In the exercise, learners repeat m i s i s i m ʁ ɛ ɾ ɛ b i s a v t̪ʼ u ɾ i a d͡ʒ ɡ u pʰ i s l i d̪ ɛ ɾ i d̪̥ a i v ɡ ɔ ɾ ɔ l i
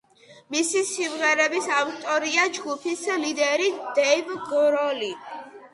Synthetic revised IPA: m i s i s i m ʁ ɛ ɾ ɛ b i s a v t̪ʼ ɔ ɾ i a d͡ʒ ɡ u pʰ i s l i d̪ ɛ ɾ i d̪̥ ɛ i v ɡ ɔ ɾ ɔ l i